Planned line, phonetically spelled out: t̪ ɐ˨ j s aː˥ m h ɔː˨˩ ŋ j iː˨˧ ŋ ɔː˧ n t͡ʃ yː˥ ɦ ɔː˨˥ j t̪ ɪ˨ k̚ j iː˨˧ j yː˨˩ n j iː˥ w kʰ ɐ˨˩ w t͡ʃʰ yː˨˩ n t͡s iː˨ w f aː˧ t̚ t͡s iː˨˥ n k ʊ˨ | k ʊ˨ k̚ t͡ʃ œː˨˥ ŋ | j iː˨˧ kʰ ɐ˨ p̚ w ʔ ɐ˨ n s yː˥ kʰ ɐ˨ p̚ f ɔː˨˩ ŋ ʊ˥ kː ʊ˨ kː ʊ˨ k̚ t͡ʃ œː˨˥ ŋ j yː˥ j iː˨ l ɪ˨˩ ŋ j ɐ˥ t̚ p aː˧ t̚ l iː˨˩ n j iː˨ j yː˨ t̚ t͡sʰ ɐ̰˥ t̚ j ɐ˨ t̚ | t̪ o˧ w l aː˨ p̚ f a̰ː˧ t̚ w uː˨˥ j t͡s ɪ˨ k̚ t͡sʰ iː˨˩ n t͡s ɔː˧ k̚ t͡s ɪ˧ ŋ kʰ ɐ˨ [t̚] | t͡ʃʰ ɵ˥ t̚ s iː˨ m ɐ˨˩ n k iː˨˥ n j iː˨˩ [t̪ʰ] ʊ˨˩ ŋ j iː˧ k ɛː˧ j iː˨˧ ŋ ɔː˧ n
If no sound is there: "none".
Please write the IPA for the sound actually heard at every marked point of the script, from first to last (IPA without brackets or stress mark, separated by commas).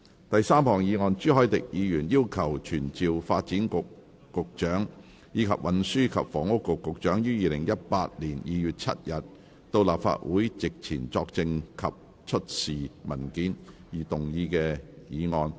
p̚, t̪